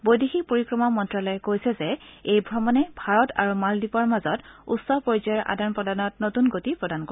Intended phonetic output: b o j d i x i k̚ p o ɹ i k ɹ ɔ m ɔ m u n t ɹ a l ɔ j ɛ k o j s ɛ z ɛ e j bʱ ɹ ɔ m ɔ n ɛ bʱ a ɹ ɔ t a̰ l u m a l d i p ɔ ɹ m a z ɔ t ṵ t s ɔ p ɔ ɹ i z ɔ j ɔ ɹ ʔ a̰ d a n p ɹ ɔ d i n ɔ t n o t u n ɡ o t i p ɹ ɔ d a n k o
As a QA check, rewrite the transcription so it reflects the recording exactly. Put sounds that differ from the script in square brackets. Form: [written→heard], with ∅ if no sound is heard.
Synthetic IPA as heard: b o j d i x i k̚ p o ɹ i k ɹ ɔ m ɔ m [u→ɔ] n t ɹ a l ɔ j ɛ k o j s ɛ z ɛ e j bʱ ɹ ɔ m ɔ n ɛ bʱ a ɹ ɔ t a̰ [l→ɹ] u m a l d i p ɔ ɹ m a z ɔ t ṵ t s ɔ p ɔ ɹ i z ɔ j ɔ ɹ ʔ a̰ d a n p ɹ ɔ d [i→a] n ɔ t n o t u n ɡ o t i p ɹ ɔ d a n k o

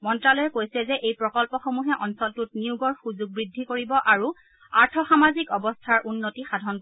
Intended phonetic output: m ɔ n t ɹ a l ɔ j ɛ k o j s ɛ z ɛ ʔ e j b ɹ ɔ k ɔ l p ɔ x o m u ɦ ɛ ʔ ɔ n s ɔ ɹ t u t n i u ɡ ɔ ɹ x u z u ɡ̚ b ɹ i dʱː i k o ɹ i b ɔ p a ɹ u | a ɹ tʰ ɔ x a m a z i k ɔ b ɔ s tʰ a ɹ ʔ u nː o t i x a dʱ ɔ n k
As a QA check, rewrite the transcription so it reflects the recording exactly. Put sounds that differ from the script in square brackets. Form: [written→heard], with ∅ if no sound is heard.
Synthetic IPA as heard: m ɔ n t ɹ a l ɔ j ɛ k o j s ɛ z ɛ ʔ e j [b→p] ɹ ɔ k ɔ l p ɔ x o m u ɦ ɛ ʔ ɔ n s ɔ [ɹ→l] t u t n i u ɡ ɔ ɹ x u z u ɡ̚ b ɹ i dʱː i k o ɹ i b ɔ [p→ʔ] a ɹ u | a ɹ tʰ ɔ x a m a z i k ɔ b ɔ s tʰ a ɹ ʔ u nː o t i x a dʱ ɔ n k

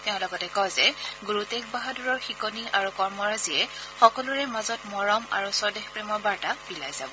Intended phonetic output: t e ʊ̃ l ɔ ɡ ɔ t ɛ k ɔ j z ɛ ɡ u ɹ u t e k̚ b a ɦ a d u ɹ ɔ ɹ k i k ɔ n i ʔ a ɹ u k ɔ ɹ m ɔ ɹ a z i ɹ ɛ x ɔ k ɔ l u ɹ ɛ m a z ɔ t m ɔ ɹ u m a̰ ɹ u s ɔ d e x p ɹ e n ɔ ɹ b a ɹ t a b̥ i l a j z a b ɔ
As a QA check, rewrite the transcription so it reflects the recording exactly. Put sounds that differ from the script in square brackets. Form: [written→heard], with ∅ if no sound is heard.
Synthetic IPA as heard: t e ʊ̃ l ɔ ɡ ɔ t ɛ k ɔ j z ɛ ɡ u ɹ u t e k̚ b a ɦ a d u ɹ ɔ ɹ [k→x] i k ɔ n i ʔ a ɹ u k ɔ ɹ m ɔ ɹ a z i [ɹ→∅] ɛ x ɔ k ɔ l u ɹ ɛ m a z ɔ t m ɔ ɹ [u→ɔ] m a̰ ɹ u s ɔ d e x p ɹ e [n→m] ɔ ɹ b a ɹ t a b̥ i l a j z a b ɔ

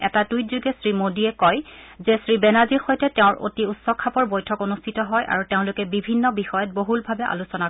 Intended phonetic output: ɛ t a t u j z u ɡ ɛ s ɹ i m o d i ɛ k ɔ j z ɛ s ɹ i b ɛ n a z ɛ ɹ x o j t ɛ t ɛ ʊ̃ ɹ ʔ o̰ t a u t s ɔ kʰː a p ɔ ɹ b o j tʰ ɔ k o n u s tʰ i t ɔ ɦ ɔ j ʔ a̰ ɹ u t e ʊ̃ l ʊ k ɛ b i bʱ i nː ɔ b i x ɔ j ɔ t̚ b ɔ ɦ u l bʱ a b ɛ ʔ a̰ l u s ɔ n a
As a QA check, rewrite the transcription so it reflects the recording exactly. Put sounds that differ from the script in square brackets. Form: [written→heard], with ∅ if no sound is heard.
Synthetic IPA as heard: ɛ t a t u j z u ɡ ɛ s ɹ i m o d i ɛ k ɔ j z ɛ s ɹ i b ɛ n a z [ɛ→i] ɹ x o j t ɛ t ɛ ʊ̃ ɹ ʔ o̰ t [a→i] u t s ɔ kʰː a p ɔ ɹ b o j tʰ ɔ k o n u s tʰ i t ɔ ɦ ɔ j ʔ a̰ ɹ u t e ʊ̃ l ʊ k ɛ b i bʱ i nː ɔ b i x ɔ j ɔ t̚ b [ɔ→o] ɦ u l bʱ a b ɛ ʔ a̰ l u s ɔ n a

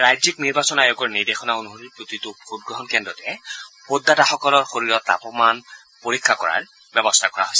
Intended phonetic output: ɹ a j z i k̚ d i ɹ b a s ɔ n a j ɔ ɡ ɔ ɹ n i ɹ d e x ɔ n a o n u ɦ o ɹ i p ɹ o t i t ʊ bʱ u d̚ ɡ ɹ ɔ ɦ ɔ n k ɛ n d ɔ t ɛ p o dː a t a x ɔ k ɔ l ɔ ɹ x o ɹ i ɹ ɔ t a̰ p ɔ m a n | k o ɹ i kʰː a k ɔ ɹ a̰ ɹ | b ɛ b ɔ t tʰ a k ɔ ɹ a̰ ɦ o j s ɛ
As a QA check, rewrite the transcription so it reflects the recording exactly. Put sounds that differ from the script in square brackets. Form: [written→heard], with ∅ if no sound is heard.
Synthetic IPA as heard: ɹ a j z i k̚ [d→n] i ɹ b a s ɔ n a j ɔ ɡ ɔ ɹ n i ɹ d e x ɔ n a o n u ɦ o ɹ i p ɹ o t i t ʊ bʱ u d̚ ɡ ɹ ɔ ɦ ɔ n k ɛ n d ɔ t ɛ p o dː a t a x ɔ k ɔ l ɔ ɹ x o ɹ i ɹ ɔ t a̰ p ɔ m a n | [k→p] o ɹ i kʰː a k ɔ ɹ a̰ ɹ | b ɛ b ɔ [t→s] tʰ a k ɔ ɹ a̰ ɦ o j s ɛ

